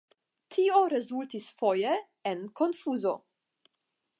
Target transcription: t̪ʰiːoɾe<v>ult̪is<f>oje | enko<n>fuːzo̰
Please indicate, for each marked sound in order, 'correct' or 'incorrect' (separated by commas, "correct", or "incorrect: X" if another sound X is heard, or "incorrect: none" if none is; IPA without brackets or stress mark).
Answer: incorrect: z, correct, correct